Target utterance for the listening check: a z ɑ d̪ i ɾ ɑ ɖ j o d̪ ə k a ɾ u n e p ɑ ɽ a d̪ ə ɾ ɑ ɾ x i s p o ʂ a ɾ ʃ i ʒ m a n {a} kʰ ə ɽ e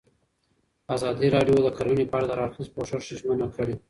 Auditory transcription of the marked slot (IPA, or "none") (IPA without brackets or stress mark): a